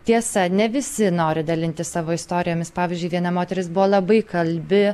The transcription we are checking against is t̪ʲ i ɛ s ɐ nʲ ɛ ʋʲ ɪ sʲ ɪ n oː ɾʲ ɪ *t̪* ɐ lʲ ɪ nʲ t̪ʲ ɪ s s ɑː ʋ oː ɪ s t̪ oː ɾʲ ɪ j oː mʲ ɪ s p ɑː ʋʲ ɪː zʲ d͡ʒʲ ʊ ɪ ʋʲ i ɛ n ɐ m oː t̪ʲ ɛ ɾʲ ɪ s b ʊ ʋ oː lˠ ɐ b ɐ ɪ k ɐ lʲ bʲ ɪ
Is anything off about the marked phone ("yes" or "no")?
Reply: yes